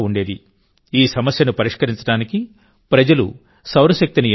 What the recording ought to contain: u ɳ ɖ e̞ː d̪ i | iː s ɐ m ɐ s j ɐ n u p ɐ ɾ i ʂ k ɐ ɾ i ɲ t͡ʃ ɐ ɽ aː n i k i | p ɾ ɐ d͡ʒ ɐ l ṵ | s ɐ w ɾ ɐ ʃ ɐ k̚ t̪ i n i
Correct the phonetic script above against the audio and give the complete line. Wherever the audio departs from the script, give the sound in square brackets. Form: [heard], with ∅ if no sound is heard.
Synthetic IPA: u ɳ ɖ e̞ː d̪ i | iː s ɐ m ɐ s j ɐ n u p ɐ ɾ i ʂ k ɐ ɾ i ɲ t͡ʃ ɐ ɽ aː n i k i | p ɾ ɐ d͡ʒ ɐ l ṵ | s ɐ w ɾ ɐ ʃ ɐ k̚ t̪ i n i